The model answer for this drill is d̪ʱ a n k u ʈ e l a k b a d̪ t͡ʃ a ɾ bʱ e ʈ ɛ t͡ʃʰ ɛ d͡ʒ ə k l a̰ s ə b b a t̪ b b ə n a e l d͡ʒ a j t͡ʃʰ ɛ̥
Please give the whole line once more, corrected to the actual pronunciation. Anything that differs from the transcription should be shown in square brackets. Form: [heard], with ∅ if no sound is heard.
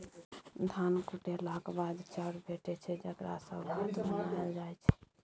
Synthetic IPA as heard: d̪ʱ a n k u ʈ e l a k b a d̪ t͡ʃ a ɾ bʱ e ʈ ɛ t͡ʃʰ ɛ d͡ʒ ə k [ɾ] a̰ s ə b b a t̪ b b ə n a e l d͡ʒ a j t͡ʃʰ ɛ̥